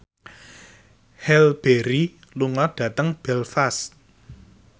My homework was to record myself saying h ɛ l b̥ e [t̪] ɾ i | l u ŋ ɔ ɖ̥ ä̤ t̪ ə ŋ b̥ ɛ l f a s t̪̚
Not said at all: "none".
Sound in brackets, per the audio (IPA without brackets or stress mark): none